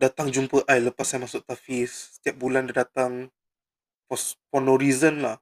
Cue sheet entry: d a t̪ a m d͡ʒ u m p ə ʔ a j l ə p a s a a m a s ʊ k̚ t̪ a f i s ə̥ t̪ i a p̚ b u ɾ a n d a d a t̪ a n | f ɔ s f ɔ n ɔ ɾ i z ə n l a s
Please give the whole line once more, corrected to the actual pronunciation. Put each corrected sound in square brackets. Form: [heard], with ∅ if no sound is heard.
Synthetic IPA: d a t̪ a [ŋ] d͡ʒ u m p ə ʔ a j l ə p a s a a m a s ʊ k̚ t̪ a f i s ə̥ t̪ i a p̚ b u [l] a n d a d a t̪ a [ŋ] | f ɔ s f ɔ n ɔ ɾ i z ə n l a [h]